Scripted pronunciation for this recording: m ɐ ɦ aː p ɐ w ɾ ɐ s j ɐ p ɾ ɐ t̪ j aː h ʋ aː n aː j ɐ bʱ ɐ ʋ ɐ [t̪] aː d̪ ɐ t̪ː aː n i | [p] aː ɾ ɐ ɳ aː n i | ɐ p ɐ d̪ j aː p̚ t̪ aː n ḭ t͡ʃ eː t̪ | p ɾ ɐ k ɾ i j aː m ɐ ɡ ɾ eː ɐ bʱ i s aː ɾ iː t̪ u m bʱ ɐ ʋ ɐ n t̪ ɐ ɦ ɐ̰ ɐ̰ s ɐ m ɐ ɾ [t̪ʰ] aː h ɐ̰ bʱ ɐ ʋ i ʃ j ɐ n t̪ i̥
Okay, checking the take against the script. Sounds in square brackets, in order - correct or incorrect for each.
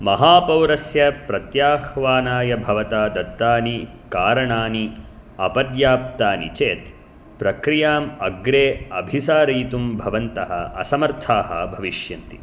correct, incorrect: k, correct

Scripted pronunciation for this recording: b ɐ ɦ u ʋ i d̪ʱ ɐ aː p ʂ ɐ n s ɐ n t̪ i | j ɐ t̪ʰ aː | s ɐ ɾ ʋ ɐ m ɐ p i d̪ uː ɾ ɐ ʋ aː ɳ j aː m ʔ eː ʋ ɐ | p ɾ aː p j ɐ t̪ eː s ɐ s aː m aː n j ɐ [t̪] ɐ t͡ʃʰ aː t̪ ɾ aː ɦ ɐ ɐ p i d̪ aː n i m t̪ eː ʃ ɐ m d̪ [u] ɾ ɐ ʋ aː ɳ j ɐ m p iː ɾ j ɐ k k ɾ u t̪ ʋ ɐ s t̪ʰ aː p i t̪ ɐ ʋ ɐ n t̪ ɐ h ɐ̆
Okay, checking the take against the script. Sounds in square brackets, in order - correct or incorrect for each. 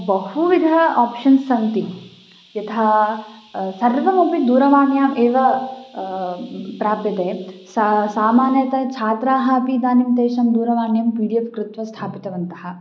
correct, incorrect: uː

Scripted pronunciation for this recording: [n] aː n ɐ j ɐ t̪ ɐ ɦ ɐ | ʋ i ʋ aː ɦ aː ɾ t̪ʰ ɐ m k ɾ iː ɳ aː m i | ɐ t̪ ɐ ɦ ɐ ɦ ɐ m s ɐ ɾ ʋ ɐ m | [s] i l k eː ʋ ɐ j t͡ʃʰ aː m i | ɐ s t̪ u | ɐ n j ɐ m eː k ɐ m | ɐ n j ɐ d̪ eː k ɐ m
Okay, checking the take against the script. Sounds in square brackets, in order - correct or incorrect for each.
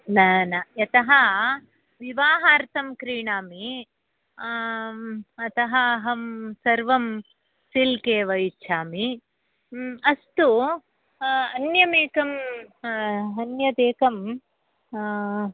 correct, correct

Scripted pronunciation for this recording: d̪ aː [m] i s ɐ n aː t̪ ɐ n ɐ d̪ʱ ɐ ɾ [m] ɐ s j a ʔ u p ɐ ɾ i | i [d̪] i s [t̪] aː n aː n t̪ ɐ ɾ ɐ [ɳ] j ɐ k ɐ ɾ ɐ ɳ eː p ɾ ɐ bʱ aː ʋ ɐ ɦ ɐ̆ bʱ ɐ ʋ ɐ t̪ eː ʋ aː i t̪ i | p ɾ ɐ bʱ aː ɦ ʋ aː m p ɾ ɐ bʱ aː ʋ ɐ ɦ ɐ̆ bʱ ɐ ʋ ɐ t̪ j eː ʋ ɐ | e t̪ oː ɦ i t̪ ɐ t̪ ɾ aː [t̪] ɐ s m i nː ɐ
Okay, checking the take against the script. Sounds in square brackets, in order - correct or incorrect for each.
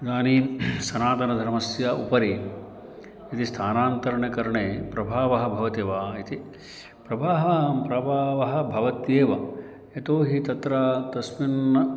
incorrect: n, correct, incorrect: t̪, incorrect: t̪ʰ, correct, correct

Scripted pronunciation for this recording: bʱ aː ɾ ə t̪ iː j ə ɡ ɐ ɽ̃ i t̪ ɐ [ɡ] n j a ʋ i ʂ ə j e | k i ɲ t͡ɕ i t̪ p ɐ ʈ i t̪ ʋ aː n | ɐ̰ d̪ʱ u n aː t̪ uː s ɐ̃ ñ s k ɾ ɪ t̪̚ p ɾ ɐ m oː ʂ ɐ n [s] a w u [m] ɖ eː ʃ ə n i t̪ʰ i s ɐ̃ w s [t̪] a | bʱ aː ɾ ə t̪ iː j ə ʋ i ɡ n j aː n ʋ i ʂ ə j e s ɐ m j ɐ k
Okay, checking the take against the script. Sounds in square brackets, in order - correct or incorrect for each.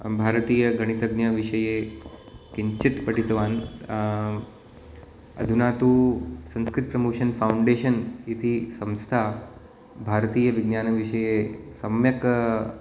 correct, incorrect: f, incorrect: ɳ, incorrect: t̪ʰ

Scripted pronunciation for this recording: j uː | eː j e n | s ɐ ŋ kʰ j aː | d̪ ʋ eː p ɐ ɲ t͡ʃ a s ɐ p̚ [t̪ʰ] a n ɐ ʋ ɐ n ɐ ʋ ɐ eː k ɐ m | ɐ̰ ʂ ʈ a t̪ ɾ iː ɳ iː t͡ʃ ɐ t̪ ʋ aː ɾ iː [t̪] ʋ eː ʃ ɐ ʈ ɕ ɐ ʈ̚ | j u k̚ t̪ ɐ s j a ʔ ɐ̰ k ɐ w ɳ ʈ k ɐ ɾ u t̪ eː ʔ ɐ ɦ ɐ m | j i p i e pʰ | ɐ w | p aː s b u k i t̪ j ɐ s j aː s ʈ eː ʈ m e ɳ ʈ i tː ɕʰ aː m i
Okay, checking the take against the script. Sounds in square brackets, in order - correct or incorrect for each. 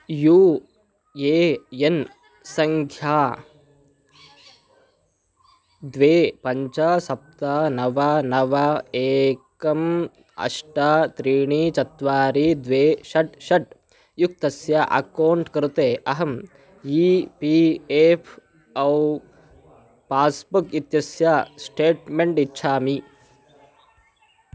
incorrect: t̪, incorrect: d̪

